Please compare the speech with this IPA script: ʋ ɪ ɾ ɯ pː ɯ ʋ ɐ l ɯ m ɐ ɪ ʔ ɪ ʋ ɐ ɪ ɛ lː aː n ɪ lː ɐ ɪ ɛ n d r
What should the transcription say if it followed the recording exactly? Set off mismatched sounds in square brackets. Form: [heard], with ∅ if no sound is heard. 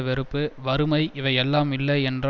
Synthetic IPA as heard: ʋ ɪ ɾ ɯ pː ɯ ʋ ɐ [ɾ] ɯ m ɐ ɪ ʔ ɪ ʋ ɐ ɪ ɛ lː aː [m] ɪ lː ɐ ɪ ɛ n d r